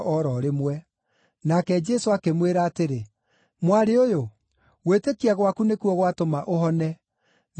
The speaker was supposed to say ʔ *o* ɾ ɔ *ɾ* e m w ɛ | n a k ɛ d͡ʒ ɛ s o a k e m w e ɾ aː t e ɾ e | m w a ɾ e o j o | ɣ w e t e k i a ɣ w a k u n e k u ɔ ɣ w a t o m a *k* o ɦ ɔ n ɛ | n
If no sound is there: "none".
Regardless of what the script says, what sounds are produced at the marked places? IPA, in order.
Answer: ɔ, ɾ, ʔ

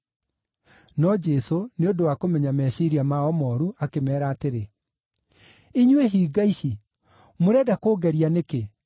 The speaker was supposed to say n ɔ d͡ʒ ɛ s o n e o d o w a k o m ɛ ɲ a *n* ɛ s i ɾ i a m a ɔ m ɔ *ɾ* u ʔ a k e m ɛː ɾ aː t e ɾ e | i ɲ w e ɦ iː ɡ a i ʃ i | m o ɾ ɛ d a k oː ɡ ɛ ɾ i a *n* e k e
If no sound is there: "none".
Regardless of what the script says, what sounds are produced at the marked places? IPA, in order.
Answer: m, ɾ, n

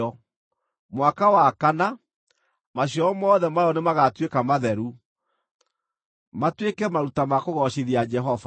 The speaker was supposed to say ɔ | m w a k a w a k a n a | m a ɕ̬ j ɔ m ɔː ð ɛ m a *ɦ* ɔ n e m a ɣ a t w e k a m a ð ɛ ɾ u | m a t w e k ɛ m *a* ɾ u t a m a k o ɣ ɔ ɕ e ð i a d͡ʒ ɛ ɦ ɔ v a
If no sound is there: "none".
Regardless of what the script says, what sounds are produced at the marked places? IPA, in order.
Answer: none, a

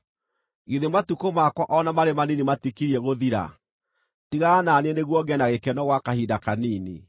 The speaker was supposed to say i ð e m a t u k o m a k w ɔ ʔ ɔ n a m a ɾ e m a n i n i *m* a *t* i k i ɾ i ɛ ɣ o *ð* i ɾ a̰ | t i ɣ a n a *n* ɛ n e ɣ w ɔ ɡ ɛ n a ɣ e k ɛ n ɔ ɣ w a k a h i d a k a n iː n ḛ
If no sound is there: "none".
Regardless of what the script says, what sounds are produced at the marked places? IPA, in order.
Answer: m, t, ð, n

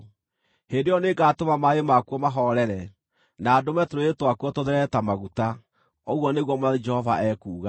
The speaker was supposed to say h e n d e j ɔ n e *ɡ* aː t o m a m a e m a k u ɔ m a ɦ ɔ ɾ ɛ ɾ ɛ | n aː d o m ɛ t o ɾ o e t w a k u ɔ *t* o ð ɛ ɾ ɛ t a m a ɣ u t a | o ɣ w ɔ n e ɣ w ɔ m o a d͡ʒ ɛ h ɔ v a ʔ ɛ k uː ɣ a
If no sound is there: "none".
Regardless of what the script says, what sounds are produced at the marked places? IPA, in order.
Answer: ɡ, t

